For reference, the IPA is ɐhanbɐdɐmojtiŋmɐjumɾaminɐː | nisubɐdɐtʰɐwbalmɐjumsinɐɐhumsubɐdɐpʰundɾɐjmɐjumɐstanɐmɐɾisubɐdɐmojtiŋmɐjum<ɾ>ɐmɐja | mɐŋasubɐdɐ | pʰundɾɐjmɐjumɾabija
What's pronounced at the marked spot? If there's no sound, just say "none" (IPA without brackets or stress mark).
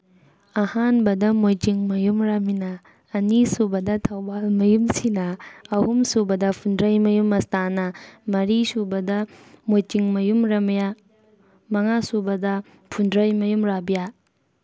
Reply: ɾ